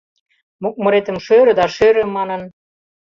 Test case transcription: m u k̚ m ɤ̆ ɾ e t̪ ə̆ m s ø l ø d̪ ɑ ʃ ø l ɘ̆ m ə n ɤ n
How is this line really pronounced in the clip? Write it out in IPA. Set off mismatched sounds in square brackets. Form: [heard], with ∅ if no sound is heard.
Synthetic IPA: m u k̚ m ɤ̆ ɾ e t̪ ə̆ m [ʃ] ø [ɾ] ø d̪ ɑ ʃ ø [ɾ] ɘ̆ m [ɑ] n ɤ n